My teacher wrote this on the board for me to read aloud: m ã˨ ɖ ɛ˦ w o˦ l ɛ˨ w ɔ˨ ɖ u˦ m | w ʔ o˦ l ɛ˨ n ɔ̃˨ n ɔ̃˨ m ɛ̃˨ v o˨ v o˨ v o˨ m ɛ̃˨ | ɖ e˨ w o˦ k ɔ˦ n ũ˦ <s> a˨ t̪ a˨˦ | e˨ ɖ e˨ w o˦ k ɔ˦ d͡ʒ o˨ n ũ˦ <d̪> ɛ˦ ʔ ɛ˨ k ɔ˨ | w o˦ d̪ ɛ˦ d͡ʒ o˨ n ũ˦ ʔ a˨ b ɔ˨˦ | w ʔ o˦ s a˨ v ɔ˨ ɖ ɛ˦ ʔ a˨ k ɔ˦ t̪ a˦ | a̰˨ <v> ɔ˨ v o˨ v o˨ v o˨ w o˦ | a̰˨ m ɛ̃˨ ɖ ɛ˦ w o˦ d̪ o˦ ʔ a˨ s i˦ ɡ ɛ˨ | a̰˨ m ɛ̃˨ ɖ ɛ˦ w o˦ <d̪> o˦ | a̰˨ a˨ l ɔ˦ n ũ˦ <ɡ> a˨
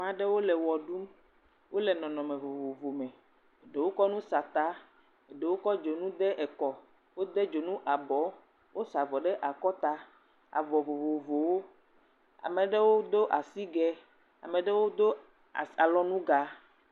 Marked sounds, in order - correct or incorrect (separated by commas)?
correct, correct, correct, correct, correct